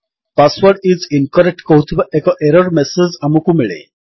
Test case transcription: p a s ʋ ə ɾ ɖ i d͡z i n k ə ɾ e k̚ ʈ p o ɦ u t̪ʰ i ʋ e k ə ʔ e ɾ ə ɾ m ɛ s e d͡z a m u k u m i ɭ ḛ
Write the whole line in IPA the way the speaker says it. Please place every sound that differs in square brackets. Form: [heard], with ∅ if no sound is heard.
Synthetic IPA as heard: p a s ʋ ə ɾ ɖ i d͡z i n k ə ɾ e k̚ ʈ [k] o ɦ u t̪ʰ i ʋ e k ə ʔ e ɾ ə ɾ m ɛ s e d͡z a m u k u m i ɭ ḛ